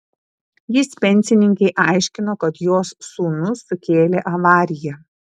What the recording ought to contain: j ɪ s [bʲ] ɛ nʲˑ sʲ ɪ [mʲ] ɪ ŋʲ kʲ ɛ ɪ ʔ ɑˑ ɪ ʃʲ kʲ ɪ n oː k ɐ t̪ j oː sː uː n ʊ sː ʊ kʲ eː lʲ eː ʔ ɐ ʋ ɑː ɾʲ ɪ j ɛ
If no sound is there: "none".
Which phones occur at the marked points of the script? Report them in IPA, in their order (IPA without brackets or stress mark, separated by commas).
pʲ, nʲ